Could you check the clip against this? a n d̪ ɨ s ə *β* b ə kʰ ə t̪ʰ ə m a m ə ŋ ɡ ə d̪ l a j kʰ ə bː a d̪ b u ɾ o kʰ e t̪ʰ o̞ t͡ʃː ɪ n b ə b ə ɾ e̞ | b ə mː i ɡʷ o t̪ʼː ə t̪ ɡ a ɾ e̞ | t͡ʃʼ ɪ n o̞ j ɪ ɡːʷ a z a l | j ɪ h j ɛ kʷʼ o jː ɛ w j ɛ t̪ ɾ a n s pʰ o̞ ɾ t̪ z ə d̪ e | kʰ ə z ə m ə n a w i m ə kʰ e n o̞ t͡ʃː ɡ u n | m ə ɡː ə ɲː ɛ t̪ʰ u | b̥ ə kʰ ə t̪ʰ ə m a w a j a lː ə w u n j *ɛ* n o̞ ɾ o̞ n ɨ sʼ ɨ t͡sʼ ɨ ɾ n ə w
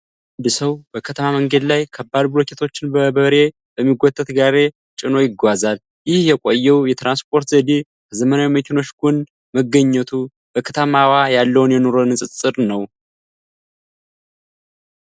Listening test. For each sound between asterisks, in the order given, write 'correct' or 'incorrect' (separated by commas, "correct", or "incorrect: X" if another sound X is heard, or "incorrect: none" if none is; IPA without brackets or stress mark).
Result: incorrect: w, correct